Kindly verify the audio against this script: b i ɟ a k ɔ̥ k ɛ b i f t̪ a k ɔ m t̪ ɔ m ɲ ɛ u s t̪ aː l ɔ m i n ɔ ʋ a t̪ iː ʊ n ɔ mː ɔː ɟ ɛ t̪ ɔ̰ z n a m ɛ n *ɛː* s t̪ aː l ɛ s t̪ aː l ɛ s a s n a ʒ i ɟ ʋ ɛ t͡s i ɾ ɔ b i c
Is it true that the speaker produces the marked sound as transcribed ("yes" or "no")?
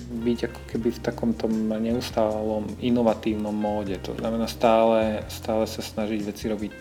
no